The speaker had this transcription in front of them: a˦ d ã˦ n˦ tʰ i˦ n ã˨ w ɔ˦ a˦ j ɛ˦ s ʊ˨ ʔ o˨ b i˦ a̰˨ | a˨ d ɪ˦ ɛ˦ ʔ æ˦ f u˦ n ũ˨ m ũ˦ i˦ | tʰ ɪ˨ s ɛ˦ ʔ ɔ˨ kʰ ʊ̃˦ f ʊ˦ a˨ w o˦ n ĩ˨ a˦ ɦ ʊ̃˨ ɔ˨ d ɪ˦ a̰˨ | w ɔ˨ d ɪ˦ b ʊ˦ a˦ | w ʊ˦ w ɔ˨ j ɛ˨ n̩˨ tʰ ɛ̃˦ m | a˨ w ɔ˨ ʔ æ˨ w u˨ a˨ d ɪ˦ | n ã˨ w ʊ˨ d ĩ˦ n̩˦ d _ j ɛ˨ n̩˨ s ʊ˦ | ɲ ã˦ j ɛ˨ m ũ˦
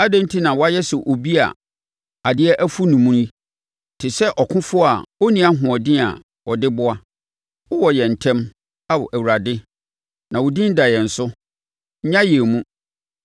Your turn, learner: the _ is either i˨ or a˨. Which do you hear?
a˨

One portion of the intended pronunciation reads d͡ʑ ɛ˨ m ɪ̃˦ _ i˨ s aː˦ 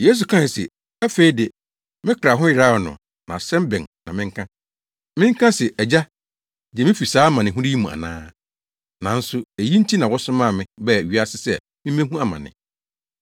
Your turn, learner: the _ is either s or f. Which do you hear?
f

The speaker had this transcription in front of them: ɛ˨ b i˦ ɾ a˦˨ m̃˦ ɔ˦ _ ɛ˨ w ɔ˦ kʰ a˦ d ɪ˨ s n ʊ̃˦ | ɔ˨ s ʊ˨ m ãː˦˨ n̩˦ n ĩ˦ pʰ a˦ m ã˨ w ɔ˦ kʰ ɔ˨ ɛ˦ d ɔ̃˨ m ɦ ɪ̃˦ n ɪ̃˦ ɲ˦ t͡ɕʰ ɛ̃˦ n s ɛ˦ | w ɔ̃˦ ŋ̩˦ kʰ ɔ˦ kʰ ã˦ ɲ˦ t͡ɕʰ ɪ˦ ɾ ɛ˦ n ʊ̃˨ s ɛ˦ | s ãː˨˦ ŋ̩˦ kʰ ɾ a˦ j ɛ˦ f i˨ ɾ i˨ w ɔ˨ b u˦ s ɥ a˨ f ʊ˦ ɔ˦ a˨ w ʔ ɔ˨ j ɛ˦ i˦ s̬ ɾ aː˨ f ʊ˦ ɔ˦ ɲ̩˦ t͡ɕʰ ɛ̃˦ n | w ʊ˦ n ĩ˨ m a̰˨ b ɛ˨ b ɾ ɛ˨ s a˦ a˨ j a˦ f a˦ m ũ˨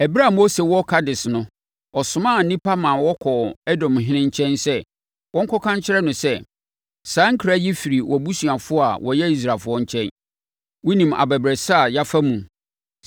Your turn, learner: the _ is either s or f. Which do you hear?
s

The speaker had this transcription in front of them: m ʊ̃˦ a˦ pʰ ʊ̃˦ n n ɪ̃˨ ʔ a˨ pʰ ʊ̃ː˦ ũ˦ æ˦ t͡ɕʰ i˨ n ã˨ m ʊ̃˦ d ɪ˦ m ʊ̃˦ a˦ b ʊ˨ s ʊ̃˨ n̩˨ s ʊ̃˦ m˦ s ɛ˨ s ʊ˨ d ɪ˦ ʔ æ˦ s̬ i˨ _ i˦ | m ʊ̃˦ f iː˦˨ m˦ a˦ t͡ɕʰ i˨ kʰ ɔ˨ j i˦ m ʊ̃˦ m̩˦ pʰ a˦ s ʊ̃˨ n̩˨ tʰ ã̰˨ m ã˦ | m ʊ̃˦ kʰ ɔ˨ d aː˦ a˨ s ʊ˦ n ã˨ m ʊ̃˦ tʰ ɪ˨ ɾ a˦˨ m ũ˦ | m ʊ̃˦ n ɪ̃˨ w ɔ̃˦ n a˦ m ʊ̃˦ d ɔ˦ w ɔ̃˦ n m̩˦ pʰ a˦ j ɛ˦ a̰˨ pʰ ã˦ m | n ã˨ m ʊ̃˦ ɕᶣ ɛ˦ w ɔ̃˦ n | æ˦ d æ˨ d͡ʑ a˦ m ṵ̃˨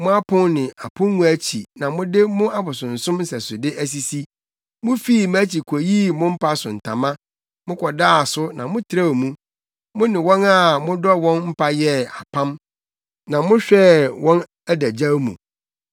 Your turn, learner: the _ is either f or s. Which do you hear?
s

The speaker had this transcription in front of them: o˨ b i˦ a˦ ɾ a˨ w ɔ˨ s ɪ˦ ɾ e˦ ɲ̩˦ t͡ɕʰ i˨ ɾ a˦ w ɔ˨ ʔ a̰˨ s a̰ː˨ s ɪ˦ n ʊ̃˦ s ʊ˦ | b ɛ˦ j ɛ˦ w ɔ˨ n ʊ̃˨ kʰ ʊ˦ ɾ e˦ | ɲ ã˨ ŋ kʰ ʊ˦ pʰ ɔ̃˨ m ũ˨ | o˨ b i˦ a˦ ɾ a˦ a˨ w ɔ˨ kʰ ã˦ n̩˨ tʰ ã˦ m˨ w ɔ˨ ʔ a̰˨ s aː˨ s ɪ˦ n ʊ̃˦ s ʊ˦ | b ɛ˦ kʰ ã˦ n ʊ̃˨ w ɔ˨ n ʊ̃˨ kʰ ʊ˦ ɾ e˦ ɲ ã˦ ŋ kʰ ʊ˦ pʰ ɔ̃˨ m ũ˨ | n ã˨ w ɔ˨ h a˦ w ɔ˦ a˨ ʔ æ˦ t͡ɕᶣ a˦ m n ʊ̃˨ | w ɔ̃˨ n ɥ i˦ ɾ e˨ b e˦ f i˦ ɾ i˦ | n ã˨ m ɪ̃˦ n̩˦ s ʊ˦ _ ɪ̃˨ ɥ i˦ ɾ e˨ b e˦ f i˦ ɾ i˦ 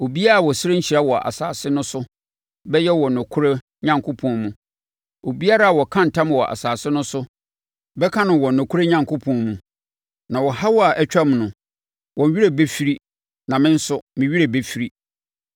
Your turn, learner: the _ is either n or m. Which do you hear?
m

